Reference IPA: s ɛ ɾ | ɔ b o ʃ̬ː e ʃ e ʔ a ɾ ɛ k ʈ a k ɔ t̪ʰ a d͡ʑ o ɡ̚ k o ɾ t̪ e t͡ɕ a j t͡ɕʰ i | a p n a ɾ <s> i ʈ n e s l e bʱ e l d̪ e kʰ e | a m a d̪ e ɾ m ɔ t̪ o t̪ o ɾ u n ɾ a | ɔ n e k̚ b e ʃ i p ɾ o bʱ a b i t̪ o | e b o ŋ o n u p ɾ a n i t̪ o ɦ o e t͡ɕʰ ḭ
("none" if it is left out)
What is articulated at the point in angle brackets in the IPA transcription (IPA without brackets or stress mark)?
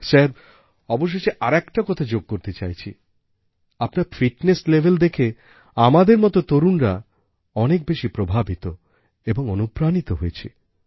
f